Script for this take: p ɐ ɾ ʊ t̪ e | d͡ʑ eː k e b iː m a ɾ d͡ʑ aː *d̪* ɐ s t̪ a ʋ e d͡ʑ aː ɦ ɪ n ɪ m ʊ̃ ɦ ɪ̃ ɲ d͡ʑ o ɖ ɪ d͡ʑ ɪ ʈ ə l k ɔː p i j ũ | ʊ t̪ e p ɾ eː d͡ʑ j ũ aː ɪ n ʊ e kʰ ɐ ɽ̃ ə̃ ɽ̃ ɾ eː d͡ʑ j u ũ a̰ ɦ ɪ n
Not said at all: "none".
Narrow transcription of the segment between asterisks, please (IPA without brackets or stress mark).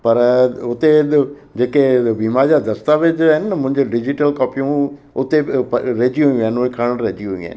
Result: d̪